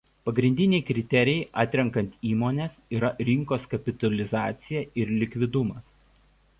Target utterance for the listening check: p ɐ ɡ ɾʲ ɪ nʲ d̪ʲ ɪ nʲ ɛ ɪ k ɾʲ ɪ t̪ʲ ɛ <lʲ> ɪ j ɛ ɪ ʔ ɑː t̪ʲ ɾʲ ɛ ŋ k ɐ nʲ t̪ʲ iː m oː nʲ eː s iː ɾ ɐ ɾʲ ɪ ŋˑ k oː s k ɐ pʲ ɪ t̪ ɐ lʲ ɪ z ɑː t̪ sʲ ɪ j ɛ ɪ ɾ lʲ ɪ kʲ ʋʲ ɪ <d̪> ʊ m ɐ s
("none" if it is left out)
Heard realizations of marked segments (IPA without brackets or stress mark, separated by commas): ɾʲ, d̪